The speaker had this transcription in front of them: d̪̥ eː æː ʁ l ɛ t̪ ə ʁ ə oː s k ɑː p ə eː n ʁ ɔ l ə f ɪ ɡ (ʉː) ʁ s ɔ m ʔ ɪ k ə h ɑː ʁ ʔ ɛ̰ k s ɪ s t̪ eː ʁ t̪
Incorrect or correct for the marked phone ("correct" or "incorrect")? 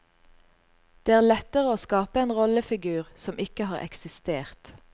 correct